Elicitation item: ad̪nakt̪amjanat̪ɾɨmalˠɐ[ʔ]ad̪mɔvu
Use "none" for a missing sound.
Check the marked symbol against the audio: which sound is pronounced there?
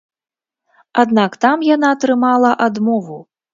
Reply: ʔ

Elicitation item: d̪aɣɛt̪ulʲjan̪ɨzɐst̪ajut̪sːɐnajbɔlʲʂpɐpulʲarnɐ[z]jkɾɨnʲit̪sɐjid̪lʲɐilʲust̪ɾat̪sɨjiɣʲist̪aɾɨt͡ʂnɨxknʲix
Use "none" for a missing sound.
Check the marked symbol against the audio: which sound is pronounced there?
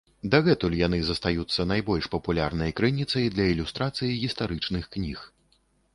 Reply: none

